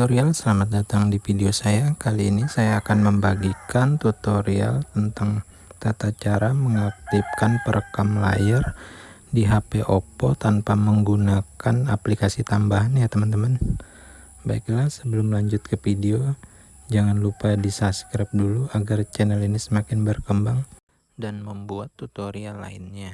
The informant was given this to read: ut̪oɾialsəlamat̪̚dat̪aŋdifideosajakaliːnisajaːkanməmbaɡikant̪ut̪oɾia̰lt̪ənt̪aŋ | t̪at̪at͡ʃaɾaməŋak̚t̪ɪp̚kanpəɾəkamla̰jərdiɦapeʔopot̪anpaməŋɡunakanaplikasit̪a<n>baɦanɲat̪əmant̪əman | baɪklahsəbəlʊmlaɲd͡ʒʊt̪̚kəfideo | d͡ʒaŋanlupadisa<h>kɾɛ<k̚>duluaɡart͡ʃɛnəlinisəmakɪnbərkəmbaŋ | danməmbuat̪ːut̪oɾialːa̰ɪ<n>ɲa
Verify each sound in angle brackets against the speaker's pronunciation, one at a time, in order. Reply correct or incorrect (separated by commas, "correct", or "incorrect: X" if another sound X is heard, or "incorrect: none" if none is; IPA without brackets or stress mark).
incorrect: m, incorrect: s, incorrect: p̚, correct